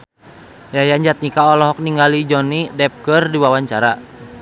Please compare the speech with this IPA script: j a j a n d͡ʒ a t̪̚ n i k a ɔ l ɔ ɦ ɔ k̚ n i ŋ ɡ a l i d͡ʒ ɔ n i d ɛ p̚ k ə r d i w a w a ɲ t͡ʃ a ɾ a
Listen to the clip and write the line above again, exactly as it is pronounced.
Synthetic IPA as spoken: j a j a ɲ d͡ʒ a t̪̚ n i k a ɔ l ɔ ɦ ɔ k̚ n i ŋ ɡ a l i d͡ʒ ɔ n i d ɛ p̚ k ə r d i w a w a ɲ t͡ʃ a ɾ a

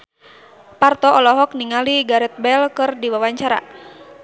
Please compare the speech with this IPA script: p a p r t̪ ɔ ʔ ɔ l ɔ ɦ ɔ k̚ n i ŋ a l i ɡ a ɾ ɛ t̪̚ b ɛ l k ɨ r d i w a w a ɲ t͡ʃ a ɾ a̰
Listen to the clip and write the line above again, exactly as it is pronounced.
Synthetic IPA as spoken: p a r t̪ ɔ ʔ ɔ l ɔ ɦ ɔ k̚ n i ŋ a l i ɡ a ɾ ɛ t̪̚ b ɛ l k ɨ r d i w a w a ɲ t͡ʃ a ɾ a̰

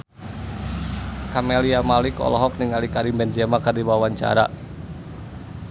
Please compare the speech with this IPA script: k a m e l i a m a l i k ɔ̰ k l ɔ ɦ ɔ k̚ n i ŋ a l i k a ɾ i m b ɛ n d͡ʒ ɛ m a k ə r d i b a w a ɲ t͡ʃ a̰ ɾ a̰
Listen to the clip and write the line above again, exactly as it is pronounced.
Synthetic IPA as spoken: k a m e l i a m a l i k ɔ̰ l ɔ ɦ ɔ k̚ n i ŋ a l i k a ɾ i m b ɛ n d͡ʒ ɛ m a k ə r d i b a w a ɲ t͡ʃ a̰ ɾ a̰

